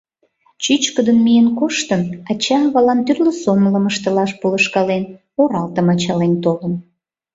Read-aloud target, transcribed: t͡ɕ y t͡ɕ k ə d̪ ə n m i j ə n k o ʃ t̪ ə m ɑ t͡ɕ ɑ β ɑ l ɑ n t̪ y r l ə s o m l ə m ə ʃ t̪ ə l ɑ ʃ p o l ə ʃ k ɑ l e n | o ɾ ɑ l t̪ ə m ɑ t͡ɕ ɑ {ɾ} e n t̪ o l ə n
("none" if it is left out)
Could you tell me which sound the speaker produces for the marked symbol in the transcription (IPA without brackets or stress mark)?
l